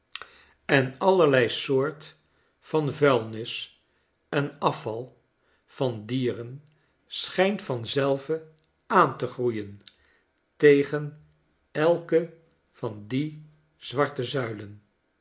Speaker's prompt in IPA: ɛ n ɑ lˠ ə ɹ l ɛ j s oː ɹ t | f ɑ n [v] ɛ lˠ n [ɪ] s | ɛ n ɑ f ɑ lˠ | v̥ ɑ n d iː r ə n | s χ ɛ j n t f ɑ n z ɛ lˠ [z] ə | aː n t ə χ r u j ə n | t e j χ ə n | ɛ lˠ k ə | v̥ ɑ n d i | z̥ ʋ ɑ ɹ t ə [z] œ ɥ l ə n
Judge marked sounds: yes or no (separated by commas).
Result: yes, yes, no, yes